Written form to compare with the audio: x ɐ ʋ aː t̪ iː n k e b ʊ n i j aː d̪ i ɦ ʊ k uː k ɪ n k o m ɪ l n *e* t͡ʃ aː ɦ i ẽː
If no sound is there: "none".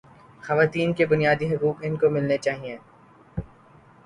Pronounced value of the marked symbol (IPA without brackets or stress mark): e